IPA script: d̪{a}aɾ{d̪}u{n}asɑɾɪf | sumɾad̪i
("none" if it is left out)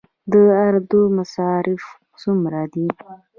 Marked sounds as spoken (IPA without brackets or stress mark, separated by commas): ə, d̪, m